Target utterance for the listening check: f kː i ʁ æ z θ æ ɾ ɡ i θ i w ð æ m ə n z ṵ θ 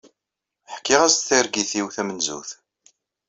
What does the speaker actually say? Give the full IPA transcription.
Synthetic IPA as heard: ħ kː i ʁ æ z θ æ ɾ ɡ i θ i w θ æ m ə n z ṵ θ